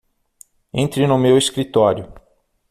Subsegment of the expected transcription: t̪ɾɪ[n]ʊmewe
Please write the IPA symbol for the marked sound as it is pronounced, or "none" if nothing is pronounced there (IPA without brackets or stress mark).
n